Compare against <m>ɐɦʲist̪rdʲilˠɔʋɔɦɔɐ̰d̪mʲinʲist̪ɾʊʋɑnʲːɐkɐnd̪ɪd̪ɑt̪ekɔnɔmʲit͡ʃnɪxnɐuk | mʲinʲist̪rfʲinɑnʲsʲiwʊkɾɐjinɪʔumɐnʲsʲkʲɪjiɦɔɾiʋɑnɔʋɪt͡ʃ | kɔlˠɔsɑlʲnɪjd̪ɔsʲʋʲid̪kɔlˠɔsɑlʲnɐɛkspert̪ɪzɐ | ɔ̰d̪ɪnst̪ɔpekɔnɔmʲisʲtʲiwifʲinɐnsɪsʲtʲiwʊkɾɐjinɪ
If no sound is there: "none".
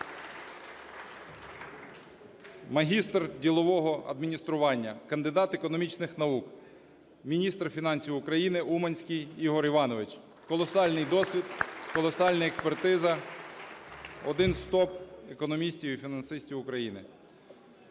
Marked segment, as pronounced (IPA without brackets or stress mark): m